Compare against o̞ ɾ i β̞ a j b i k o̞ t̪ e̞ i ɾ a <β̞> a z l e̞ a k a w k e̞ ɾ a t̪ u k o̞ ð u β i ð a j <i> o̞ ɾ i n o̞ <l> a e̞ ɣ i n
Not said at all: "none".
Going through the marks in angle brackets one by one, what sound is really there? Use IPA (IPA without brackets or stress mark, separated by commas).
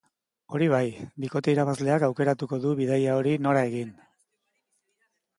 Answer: β̞, a, ɾ